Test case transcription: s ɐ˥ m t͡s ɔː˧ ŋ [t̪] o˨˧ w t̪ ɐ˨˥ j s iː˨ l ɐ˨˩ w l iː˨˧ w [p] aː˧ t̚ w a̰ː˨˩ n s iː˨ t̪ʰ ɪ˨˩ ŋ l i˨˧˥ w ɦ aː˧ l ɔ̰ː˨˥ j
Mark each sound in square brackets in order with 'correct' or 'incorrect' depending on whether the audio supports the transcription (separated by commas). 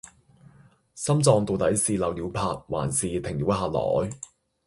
correct, incorrect